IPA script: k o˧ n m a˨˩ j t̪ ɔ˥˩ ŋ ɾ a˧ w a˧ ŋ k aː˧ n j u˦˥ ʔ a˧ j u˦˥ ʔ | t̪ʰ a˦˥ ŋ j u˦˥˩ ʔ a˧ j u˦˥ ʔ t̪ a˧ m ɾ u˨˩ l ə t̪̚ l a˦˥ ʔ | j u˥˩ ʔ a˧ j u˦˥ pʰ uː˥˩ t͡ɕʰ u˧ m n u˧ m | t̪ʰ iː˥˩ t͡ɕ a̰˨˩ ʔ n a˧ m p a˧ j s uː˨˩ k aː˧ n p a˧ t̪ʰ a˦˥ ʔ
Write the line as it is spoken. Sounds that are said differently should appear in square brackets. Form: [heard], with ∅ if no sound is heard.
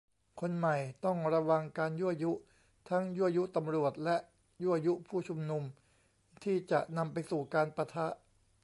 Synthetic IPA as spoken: [kʰ] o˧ n m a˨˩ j t̪ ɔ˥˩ ŋ ɾ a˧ w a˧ ŋ k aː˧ n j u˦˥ ʔ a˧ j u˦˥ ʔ | t̪ʰ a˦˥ ŋ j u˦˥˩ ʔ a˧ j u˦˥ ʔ t̪ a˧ m ɾ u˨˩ [∅] ə t̪̚ l [ɛ˦˥] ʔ | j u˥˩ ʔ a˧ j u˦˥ pʰ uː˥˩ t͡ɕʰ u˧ m n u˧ m | t̪ʰ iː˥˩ t͡ɕ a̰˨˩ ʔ n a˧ m p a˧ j s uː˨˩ k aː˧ n p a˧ t̪ʰ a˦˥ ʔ